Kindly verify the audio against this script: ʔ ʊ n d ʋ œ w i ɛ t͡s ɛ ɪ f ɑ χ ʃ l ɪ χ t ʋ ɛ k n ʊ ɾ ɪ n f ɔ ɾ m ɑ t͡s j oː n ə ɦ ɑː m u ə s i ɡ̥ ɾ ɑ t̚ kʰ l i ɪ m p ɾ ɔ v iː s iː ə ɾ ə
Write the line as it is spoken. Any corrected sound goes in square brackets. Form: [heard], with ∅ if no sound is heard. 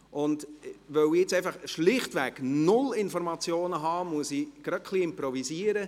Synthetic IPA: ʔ ʊ n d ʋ œ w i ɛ t͡s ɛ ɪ f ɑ χ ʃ l ɪ χ t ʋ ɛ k n ʊ [l] ɪ n f ɔ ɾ m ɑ t͡s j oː n ə ɦ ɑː m u ə s i ɡ̥ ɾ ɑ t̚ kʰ l i ɪ m p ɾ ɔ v [i] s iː ə ɾ ə